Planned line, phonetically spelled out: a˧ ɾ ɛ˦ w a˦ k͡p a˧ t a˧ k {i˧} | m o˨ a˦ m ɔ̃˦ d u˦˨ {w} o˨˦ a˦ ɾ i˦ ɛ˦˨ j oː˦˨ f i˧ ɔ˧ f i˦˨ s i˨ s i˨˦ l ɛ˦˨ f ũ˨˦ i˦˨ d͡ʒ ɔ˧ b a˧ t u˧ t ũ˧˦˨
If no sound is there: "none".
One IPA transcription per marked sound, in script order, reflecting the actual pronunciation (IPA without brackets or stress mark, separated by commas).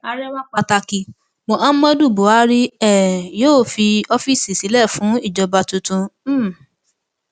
i˧, b